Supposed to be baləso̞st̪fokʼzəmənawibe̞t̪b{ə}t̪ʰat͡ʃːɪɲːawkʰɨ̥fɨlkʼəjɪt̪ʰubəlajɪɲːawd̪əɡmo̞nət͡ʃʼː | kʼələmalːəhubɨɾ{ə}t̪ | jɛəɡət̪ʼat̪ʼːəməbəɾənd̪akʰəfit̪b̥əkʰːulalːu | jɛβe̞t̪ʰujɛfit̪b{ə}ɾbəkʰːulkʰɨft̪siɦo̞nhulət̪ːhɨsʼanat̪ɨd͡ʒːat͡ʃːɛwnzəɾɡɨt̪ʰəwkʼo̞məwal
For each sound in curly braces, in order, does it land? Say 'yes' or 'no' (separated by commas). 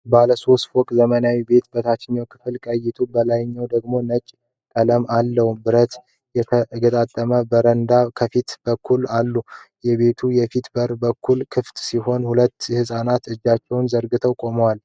yes, yes, yes